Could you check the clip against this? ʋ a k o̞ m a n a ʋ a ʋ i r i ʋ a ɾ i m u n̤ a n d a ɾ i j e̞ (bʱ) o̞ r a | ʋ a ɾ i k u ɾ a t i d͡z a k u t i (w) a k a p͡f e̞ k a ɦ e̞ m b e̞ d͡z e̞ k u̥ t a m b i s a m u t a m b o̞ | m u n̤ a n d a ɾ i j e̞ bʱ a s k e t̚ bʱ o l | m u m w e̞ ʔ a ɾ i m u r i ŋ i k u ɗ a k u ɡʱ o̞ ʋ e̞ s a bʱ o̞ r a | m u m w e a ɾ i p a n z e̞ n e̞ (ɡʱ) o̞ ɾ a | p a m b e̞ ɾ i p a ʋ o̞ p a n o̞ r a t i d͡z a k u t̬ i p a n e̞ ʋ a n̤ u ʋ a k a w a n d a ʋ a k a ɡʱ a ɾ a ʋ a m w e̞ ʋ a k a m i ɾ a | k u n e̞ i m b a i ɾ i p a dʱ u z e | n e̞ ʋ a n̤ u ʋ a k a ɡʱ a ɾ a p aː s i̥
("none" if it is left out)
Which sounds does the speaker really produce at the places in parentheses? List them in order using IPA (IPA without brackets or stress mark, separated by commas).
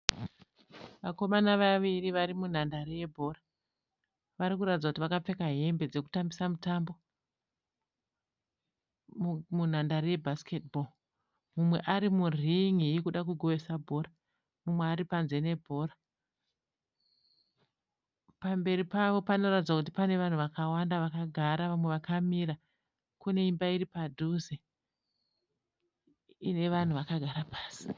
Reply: bʱ, ʋ, bʱ